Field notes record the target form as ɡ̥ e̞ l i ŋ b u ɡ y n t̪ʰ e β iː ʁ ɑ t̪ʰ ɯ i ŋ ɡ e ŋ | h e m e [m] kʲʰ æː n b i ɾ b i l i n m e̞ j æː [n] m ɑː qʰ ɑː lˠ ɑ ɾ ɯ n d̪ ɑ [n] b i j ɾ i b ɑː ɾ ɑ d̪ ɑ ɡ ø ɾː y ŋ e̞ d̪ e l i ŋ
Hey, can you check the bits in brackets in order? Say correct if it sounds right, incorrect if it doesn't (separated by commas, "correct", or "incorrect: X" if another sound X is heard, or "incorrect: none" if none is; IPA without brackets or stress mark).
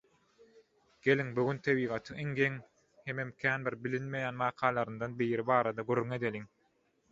correct, correct, correct